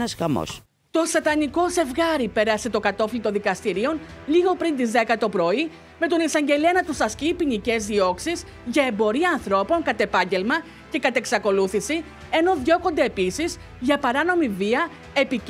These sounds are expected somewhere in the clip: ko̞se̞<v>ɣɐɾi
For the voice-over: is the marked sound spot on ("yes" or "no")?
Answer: yes